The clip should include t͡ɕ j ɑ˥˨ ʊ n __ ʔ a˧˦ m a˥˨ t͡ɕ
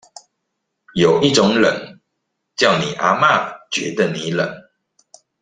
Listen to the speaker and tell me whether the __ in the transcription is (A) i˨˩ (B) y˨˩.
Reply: A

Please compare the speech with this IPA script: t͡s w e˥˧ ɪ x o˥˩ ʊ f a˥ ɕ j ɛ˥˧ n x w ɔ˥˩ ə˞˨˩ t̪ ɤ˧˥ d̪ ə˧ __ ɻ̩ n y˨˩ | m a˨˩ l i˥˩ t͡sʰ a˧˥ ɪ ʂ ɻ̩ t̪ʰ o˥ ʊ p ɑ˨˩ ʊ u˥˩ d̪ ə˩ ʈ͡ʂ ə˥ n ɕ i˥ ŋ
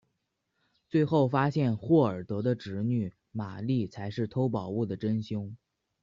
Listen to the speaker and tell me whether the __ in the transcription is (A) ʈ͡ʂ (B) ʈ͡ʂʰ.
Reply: A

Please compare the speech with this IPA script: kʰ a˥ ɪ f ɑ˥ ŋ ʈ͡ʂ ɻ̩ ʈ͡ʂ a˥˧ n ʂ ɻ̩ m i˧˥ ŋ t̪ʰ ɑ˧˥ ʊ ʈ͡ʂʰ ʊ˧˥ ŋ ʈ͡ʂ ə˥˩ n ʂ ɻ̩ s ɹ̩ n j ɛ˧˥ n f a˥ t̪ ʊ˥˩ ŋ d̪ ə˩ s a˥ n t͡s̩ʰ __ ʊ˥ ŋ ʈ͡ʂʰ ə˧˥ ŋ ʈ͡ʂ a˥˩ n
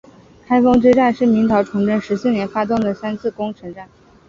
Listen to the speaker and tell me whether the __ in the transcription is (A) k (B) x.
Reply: A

